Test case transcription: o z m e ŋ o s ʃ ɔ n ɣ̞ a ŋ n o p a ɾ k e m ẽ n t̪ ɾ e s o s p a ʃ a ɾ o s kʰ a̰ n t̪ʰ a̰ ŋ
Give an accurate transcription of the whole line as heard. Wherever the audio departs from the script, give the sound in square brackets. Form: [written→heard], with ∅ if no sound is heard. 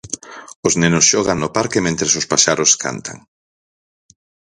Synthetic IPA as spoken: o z [m→n] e [ŋ→n] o s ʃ ɔ [n→∅] ɣ̞ a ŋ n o p a ɾ k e m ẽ n t̪ ɾ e s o s p a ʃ a ɾ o s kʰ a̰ n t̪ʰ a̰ ŋ